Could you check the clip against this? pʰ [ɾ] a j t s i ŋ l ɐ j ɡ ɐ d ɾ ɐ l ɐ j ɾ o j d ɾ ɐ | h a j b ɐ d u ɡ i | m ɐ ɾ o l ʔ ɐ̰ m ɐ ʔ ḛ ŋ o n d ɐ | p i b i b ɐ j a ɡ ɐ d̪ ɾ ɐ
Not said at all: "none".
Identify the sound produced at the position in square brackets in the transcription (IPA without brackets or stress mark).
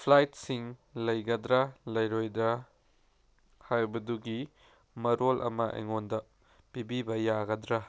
l